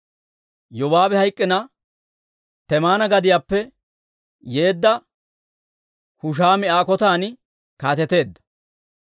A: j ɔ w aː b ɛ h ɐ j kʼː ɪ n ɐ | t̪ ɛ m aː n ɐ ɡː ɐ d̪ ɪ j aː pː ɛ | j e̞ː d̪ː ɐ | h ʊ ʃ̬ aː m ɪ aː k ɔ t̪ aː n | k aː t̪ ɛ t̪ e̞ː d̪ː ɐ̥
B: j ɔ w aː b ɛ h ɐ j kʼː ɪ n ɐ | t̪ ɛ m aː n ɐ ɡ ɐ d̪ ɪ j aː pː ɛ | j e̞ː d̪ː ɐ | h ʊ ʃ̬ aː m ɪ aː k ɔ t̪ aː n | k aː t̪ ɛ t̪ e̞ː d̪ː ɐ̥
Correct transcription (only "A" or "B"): B